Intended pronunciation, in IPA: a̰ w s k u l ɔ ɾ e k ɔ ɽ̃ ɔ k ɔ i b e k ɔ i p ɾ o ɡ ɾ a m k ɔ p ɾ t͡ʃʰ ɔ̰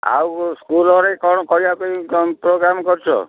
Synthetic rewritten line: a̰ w s k u l ɔ ɾ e k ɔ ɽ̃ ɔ k ɔ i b a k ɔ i p ɾ o ɡ ɾ a m k ɔ ɾ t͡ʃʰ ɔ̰